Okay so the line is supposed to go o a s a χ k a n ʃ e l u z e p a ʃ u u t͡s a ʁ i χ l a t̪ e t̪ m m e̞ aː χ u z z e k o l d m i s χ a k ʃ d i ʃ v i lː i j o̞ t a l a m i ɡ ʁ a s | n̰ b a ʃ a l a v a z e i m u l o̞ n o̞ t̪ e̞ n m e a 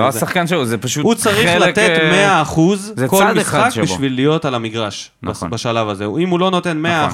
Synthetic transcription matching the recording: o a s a χ k a n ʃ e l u z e p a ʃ u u t͡s a ʁ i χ l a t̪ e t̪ m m e̞ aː χ u z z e k o l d m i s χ a k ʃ b i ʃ v i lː i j o̞ t a l a m i ɡ ʁ a ʃ | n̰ b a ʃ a l a v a z e i m u l o̞ n o̞ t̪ e̞ n m e a